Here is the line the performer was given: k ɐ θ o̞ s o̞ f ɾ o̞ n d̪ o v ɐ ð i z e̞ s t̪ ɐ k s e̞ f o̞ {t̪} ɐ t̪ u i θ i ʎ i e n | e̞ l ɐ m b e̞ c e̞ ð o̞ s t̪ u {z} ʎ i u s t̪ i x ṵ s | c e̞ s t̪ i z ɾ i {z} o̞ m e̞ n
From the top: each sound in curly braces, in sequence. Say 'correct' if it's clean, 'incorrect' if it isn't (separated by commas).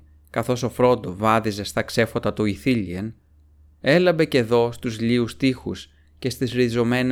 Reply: correct, correct, correct